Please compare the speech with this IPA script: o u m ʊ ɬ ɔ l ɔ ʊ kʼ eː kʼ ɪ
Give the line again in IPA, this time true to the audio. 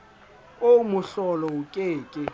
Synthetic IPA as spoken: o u m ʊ ɬ ɔ l ɔ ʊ kʼ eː kʼ ɪ

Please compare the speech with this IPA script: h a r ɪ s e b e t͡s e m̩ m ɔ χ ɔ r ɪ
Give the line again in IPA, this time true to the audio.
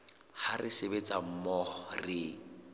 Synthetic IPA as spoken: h a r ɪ s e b e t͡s a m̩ m ɔ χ ɔ r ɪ

